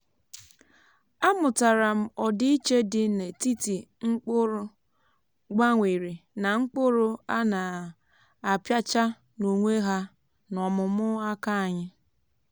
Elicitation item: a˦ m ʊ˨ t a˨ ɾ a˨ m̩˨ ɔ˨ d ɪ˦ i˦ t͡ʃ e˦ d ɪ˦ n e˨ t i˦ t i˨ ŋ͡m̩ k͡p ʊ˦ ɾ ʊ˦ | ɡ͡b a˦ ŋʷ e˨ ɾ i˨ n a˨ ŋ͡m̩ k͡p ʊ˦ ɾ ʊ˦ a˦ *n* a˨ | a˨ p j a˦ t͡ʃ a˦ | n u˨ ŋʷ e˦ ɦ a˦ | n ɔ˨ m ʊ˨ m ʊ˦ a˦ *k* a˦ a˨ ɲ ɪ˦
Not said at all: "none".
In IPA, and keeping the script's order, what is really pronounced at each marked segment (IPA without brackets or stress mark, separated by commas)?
n, k